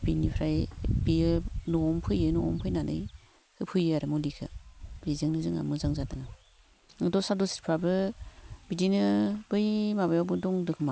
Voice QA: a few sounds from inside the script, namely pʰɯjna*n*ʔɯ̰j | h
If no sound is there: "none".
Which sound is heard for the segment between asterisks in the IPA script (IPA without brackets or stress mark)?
n